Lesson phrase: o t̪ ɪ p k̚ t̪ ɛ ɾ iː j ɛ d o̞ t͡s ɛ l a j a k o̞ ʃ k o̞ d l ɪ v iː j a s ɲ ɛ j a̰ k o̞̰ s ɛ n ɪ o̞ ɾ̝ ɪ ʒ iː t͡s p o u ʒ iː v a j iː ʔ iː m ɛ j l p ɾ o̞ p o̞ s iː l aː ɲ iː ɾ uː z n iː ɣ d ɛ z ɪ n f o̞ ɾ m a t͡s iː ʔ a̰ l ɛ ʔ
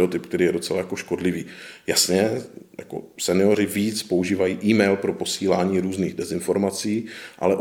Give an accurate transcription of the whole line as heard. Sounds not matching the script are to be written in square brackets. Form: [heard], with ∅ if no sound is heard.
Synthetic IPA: o t̪ ɪ p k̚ t̪ ɛ ɾ iː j ɛ d o̞ t͡s ɛ l a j a k o̞ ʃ k o̞ d l ɪ v iː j a s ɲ ɛ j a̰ k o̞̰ s ɛ n ɪ o̞ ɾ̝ ɪ [v] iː t͡s p o u ʒ iː v a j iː ʔ iː m ɛ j l p ɾ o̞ p o̞ s iː l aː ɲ iː ɾ uː z n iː ɣ d ɛ z ɪ n f o̞ ɾ m a t͡s iː ʔ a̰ l ɛ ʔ